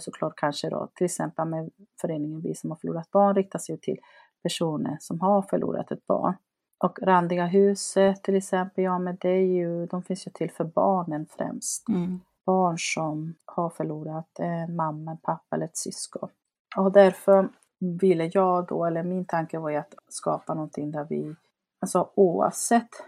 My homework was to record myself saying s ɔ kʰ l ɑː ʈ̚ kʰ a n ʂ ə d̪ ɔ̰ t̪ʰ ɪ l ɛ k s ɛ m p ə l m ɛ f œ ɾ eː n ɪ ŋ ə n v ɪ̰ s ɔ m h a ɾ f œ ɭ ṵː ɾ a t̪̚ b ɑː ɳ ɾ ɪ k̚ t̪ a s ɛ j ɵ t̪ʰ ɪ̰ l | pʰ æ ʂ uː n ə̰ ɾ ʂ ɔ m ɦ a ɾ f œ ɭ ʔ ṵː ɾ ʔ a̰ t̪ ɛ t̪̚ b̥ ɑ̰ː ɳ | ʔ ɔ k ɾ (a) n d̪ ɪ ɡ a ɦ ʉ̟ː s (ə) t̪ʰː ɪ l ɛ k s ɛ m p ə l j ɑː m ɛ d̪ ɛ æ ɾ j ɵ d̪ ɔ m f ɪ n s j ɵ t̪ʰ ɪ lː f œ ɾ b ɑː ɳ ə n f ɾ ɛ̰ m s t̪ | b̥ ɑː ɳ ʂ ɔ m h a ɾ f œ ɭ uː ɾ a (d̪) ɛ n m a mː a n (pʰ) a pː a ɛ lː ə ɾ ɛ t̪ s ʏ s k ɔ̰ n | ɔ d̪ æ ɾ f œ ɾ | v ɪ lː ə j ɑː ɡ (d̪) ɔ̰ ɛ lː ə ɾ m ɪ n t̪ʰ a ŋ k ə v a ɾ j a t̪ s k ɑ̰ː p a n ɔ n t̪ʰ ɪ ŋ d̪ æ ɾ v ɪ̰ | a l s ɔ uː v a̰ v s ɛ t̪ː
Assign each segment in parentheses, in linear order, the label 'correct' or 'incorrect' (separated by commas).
correct, correct, incorrect, correct, correct